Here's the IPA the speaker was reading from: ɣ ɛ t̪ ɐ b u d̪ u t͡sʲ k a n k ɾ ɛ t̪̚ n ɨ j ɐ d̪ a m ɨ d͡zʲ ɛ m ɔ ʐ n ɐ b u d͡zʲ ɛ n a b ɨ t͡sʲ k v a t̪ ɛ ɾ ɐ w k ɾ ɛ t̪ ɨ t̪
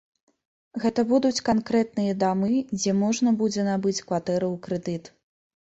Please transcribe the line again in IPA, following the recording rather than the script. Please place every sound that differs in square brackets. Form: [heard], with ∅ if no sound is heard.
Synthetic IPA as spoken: ɣ ɛ t̪ ɐ b u d̪ u t͡sʲ k a n k ɾ ɛ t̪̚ n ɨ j ɐ d̪ a m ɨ d͡zʲ ɛ m ɔ ʐ n ɐ b u d͡zʲ ɛ n a b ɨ t͡sʲ k v a t̪ ɛ ɾ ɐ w k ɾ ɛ [d̪] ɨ t̪